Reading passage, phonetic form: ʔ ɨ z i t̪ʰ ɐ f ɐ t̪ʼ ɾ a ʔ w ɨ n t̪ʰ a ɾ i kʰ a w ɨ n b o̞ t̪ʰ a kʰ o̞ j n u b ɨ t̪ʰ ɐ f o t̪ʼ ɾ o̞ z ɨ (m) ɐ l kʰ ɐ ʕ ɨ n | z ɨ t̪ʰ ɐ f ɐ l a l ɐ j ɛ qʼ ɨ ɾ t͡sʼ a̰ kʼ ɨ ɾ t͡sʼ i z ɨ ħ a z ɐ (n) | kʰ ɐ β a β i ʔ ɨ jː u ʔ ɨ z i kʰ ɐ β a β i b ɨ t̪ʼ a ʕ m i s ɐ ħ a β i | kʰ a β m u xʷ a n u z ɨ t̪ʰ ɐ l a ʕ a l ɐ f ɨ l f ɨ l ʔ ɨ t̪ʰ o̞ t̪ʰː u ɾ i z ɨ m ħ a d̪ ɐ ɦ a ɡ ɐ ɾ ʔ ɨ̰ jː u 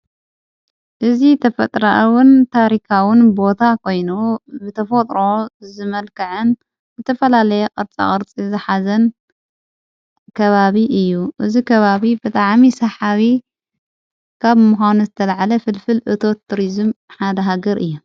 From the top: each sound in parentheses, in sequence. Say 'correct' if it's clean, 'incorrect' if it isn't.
correct, correct

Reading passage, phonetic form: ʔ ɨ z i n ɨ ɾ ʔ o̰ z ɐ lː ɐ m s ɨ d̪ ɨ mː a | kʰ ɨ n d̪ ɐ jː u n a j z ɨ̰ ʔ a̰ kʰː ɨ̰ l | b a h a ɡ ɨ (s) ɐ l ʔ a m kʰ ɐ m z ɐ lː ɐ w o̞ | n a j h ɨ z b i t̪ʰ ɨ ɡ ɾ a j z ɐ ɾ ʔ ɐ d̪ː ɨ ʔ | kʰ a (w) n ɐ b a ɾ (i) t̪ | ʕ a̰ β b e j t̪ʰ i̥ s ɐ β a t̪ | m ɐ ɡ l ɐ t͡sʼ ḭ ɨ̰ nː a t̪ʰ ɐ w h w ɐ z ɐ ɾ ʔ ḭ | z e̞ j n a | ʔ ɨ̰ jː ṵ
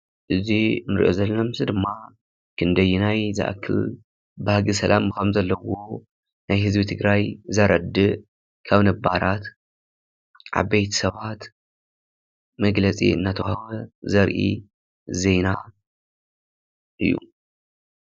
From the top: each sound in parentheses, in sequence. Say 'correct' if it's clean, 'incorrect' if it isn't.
correct, incorrect, incorrect

